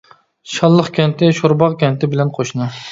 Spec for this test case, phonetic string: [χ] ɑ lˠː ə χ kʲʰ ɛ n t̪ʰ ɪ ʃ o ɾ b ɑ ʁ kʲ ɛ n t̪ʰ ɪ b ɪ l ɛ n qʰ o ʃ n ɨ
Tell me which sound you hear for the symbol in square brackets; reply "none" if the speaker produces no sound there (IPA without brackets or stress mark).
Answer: ʃ